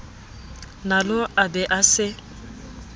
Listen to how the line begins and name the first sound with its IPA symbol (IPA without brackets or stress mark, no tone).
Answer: n